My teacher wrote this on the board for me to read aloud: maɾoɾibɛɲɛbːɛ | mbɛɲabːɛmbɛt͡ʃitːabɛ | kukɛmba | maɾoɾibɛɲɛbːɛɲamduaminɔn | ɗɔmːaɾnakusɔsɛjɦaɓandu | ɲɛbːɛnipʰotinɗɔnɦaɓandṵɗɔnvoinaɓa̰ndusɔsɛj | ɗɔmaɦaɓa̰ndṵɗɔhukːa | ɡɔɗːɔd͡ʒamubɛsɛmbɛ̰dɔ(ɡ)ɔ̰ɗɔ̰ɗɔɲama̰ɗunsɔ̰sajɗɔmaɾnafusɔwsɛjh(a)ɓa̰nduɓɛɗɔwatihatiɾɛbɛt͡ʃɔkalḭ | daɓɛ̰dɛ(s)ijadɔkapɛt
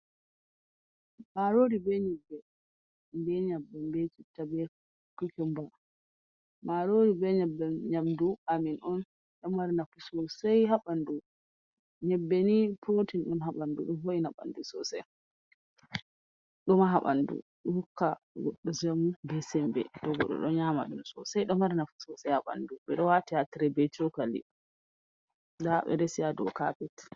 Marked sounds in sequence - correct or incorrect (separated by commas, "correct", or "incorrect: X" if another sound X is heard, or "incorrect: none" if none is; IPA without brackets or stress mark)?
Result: correct, correct, correct